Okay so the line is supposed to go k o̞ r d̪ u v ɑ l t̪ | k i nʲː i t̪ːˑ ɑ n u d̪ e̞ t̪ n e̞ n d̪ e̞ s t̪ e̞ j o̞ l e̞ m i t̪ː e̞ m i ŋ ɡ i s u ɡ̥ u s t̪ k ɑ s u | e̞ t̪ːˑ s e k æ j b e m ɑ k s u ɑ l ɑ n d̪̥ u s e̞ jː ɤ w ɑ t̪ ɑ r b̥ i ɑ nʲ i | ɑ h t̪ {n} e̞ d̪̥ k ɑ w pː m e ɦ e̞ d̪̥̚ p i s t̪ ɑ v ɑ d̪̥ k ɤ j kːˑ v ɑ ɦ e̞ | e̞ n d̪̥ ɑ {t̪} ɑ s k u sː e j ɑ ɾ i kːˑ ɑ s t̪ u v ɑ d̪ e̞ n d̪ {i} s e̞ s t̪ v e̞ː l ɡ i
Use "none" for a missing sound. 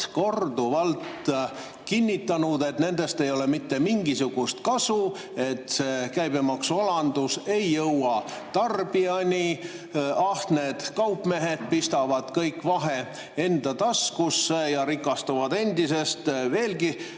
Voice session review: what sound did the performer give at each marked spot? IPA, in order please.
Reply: n, t̪, i

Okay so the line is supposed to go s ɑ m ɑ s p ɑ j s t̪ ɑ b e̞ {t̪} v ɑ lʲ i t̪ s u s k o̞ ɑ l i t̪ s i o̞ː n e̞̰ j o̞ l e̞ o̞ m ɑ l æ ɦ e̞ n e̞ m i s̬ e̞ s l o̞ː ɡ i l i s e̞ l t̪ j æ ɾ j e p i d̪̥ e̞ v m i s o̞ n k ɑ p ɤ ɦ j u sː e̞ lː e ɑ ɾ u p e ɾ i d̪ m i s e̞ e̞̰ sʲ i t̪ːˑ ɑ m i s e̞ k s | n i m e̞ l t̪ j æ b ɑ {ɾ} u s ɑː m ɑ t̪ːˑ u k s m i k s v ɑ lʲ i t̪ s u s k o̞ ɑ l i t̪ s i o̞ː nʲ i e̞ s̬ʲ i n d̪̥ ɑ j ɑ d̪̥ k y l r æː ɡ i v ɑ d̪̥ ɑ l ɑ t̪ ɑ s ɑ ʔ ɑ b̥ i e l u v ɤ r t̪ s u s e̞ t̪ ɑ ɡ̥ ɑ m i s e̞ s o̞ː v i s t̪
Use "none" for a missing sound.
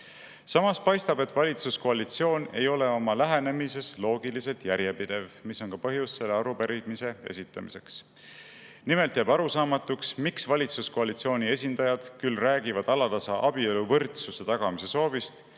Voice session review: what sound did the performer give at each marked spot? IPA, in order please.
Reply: t̪, ɾ

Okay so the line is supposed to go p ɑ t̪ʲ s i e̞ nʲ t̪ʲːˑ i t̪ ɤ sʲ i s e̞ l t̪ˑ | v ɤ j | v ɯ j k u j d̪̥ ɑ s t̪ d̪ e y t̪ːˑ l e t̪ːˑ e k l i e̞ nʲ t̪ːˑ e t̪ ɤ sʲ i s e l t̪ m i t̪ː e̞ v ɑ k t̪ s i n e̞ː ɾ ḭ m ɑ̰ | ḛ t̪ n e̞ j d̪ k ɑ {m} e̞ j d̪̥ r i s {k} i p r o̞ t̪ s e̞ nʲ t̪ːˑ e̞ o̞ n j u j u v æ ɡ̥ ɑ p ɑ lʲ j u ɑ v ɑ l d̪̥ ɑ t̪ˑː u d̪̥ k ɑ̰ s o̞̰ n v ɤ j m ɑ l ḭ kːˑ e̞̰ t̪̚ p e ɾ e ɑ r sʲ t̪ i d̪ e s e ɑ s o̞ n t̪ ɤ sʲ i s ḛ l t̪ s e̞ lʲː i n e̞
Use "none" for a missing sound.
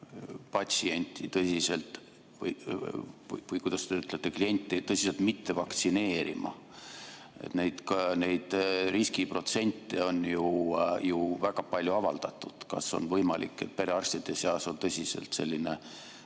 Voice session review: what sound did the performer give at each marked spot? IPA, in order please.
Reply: n, k

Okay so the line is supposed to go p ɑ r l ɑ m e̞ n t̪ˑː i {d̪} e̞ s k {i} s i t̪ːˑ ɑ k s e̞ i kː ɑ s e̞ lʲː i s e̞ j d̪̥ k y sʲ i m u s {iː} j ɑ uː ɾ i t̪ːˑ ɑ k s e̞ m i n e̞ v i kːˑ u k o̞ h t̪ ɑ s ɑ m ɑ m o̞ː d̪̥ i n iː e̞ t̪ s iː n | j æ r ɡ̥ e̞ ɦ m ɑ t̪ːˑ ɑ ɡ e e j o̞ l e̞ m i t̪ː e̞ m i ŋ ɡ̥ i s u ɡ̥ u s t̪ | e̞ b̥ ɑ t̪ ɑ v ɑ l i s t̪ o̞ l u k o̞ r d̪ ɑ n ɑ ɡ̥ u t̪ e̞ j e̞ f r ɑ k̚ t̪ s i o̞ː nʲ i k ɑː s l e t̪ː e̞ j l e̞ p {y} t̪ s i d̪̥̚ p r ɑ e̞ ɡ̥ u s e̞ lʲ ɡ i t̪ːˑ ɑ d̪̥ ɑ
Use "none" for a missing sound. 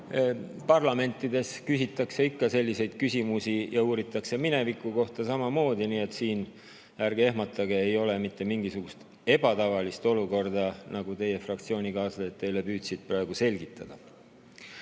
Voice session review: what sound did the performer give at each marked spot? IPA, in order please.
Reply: d̪, y, i, yː

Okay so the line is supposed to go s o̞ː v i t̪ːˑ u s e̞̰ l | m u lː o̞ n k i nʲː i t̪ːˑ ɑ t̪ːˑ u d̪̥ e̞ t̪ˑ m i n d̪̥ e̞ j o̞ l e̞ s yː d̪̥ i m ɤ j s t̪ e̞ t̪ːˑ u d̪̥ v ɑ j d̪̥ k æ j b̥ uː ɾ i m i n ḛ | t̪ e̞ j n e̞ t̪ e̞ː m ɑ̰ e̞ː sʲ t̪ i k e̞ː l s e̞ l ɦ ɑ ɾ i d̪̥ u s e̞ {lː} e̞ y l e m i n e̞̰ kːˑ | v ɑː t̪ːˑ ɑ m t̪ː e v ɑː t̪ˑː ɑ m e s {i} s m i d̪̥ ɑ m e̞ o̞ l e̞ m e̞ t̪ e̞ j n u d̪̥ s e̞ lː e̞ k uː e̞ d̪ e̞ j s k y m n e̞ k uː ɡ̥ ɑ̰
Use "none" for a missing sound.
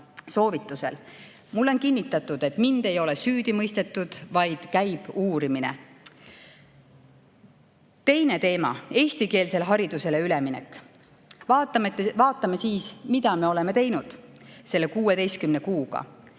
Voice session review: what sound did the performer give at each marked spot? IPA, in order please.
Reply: l, iː

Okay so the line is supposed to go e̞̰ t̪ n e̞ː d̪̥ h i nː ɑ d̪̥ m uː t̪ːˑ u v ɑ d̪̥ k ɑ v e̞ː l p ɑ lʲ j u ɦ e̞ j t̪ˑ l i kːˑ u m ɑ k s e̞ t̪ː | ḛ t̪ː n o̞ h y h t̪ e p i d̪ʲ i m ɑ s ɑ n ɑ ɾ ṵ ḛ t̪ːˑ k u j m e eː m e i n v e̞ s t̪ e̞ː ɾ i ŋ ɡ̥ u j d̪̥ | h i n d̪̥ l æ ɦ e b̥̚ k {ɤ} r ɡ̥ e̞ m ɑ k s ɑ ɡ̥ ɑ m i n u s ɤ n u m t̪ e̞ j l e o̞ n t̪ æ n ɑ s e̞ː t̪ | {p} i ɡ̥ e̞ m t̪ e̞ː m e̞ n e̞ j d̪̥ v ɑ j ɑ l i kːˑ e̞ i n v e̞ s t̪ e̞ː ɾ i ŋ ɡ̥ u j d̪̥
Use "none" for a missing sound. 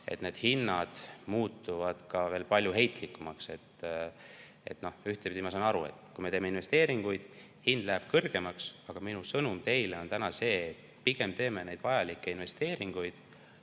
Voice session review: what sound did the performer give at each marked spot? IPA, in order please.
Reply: ɤ, p

